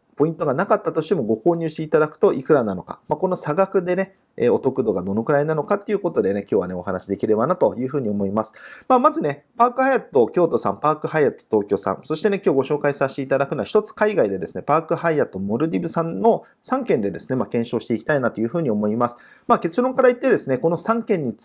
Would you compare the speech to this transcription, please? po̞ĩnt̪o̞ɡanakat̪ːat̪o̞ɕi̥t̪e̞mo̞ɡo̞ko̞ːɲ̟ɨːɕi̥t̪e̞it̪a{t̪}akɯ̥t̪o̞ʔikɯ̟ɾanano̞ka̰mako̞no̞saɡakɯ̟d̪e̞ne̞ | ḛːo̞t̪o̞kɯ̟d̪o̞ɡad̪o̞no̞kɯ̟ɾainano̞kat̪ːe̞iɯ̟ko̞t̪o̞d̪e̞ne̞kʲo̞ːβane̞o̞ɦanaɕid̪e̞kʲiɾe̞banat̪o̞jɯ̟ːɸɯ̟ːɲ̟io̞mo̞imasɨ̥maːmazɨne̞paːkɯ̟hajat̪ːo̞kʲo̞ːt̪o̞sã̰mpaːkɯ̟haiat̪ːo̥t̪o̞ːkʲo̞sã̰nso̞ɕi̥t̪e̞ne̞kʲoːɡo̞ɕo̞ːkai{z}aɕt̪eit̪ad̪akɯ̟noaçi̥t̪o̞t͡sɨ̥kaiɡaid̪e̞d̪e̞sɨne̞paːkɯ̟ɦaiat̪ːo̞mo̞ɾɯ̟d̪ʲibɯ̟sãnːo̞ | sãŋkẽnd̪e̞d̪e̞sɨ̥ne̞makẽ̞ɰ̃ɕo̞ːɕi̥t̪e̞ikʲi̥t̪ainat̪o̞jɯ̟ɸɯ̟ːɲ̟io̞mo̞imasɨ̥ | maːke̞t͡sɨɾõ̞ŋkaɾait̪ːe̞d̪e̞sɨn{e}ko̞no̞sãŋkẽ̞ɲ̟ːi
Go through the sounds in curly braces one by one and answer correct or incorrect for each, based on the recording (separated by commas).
incorrect, incorrect, correct